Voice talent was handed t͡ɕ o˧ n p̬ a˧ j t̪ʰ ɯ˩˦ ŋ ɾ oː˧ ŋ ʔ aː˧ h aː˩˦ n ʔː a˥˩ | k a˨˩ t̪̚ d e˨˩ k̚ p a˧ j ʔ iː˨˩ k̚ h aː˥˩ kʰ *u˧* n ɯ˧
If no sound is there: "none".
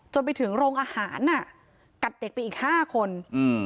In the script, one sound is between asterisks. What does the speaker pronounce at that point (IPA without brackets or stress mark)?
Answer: o˧